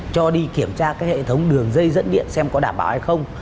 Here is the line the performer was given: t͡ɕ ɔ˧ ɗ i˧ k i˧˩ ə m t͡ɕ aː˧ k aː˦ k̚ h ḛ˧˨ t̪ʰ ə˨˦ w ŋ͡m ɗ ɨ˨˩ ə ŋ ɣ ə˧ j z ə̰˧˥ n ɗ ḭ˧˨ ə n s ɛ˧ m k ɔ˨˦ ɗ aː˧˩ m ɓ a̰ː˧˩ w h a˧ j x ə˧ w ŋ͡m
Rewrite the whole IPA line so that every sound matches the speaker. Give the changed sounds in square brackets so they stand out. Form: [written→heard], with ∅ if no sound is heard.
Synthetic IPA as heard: t͡ɕ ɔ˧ ɗ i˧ k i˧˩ ə m t͡ɕ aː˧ k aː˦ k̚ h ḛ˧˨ t̪ʰ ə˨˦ w ŋ͡m ɗ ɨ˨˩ ə ŋ [ɣ→z] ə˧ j z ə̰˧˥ n ɗ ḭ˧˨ ə n s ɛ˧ m k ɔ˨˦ ɗ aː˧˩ m ɓ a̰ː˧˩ w h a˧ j x ə˧ w ŋ͡m

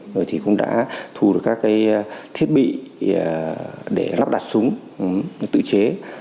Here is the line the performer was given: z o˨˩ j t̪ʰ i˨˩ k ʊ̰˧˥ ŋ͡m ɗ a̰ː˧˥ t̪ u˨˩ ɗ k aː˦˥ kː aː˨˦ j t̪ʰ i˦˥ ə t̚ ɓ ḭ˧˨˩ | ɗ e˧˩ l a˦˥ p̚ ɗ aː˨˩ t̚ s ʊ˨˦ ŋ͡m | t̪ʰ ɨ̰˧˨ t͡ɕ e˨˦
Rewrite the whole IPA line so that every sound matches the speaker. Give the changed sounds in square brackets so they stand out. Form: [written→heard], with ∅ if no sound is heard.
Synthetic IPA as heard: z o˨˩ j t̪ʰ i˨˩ k ʊ̰˧˥ ŋ͡m ɗ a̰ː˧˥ [t̪→t̪ʰ] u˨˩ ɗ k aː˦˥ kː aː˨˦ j t̪ʰ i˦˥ ə t̚ ɓ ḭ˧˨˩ | ɗ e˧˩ l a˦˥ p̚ ɗ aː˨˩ t̚ s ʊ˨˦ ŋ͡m | [t̪ʰ→t̪] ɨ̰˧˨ t͡ɕ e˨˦

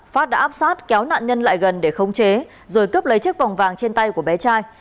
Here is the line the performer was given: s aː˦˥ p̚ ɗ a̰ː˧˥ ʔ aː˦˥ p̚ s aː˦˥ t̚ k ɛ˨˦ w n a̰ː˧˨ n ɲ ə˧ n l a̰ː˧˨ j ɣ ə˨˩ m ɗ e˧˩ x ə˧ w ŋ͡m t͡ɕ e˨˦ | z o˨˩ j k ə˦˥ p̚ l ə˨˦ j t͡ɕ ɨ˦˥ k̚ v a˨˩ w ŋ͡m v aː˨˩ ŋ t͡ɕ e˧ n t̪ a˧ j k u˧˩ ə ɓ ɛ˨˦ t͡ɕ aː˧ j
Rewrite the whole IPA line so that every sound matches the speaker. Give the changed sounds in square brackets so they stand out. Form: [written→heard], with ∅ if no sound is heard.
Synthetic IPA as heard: [s→f] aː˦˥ [p̚→t̚] ɗ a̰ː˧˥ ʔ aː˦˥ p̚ s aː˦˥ t̚ k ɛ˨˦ w n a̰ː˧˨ n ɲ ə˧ n l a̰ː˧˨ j ɣ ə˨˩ [m→n] ɗ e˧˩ x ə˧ w ŋ͡m t͡ɕ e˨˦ | z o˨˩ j k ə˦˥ p̚ l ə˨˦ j t͡ɕ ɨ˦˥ k̚ v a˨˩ w ŋ͡m v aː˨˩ ŋ t͡ɕ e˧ n t̪ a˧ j k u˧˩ ə ɓ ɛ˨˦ t͡ɕ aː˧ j

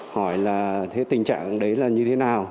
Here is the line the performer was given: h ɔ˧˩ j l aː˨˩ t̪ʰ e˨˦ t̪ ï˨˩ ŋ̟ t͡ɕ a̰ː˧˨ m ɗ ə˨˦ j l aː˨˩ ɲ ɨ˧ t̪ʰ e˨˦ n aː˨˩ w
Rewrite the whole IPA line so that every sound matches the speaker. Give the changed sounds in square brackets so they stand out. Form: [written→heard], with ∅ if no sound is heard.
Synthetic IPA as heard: h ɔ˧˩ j l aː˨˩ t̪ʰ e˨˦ t̪ ï˨˩ ŋ̟ t͡ɕ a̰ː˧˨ [m→ŋ] ɗ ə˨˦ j l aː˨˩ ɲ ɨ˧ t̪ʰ e˨˦ n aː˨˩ w

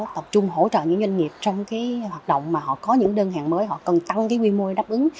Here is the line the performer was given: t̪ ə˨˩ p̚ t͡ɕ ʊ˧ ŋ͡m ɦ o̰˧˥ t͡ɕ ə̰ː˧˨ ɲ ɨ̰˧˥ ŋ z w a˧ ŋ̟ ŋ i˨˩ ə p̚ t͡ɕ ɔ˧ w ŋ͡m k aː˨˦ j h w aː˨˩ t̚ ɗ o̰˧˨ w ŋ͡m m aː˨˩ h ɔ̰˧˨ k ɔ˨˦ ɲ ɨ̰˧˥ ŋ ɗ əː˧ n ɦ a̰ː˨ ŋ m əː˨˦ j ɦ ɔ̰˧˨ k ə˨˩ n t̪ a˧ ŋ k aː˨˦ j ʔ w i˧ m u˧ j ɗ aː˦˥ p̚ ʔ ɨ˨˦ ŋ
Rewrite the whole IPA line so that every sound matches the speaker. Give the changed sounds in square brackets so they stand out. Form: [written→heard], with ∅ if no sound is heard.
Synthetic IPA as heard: t̪ ə˨˩ p̚ t͡ɕ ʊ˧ ŋ͡m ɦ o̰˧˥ t͡ɕ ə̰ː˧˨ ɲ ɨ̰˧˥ ŋ z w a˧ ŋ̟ ŋ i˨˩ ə p̚ t͡ɕ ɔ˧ w ŋ͡m k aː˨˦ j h w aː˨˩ t̚ ɗ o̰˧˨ w ŋ͡m m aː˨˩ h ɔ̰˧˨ k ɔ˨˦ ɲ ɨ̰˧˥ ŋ ɗ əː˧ n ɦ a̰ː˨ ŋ m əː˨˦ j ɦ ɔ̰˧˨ k ə˨˩ n t̪ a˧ ŋ k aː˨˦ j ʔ w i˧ m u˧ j ɗ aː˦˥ p̚ ʔ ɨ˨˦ ŋ

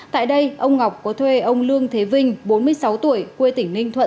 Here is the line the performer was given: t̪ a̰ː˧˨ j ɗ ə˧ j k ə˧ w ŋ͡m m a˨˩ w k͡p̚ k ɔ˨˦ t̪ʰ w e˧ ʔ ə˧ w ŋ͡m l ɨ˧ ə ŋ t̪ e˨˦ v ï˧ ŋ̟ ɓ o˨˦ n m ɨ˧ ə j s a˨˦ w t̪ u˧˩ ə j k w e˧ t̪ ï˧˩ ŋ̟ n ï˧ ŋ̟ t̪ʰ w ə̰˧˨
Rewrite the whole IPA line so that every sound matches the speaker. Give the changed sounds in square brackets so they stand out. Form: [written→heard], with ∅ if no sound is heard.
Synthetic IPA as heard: t̪ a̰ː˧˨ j ɗ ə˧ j [k→ʔ] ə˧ w ŋ͡m [m→ŋ] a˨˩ w k͡p̚ k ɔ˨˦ t̪ʰ w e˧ ʔ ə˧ w ŋ͡m l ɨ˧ ə ŋ [t̪→t̪ʰ] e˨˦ v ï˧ ŋ̟ ɓ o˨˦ n m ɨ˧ ə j s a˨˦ w t̪ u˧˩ ə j k w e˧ t̪ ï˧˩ ŋ̟ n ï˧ ŋ̟ t̪ʰ w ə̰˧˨

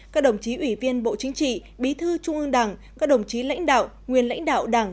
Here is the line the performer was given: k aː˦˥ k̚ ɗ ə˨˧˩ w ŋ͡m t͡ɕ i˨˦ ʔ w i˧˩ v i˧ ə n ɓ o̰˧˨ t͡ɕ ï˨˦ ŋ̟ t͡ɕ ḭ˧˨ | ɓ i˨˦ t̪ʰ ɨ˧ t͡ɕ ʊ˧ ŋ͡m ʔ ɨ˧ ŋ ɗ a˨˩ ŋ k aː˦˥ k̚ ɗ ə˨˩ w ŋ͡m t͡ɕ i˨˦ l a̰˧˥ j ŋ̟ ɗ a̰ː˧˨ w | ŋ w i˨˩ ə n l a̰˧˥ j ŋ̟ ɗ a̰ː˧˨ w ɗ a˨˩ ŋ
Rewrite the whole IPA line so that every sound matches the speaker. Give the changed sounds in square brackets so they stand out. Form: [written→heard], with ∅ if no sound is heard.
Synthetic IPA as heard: k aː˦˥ k̚ ɗ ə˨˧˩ w ŋ͡m t͡ɕ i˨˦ ʔ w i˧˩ v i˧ ə n ɓ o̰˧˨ t͡ɕ ï˨˦ ŋ̟ t͡ɕ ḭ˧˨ | ɓ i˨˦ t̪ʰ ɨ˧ t͡ɕ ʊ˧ ŋ͡m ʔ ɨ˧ ŋ ɗ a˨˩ ŋ k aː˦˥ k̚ ɗ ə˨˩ w ŋ͡m t͡ɕ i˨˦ l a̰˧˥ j ŋ̟ ɗ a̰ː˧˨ w | ŋ w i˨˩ ə n l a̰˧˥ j ŋ̟ ɗ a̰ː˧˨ w ɗ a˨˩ ŋ

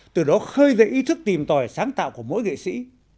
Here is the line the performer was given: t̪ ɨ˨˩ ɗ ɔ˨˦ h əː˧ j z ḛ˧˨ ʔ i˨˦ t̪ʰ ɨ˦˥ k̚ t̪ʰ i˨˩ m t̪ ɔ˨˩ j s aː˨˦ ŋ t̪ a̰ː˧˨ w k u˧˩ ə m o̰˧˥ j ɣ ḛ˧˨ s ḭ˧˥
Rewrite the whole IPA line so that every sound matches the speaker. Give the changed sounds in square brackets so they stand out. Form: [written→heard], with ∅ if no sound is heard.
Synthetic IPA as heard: t̪ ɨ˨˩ ɗ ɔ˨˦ [h→x] əː˧ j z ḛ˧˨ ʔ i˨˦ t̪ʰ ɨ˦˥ k̚ [t̪ʰ→t̪] i˨˩ m t̪ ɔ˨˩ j s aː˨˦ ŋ t̪ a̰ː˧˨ w k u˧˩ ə m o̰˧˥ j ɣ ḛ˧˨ s ḭ˧˥

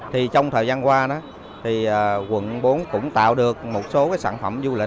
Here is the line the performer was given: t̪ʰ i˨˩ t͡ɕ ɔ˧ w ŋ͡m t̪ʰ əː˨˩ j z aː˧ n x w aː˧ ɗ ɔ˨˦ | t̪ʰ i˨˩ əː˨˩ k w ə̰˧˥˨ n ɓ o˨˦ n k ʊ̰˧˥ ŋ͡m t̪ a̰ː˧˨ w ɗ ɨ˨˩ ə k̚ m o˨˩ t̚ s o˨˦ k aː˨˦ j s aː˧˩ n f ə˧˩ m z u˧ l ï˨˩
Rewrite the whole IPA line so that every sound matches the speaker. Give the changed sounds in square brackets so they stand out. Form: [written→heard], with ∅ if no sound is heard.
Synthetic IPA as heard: t̪ʰ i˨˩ t͡ɕ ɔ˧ w ŋ͡m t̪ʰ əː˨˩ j z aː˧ n [x→k] w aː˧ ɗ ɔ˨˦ | t̪ʰ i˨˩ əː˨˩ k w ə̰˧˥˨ n ɓ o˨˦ n k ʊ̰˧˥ ŋ͡m t̪ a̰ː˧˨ w ɗ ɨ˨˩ ə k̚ m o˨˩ t̚ s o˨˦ k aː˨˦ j s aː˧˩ n f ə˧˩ m z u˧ l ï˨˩

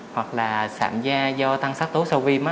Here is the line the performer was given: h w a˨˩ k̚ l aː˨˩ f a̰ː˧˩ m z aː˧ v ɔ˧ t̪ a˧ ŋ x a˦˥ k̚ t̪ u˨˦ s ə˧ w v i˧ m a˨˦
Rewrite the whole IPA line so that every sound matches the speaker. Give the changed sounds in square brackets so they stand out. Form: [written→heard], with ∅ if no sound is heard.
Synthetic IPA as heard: h w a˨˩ k̚ l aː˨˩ [f→s] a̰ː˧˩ m z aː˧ [v→z] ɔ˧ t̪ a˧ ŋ [x→s] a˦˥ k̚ t̪ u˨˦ s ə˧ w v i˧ m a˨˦

